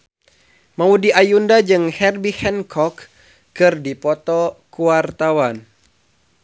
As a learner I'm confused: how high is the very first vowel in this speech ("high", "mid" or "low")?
low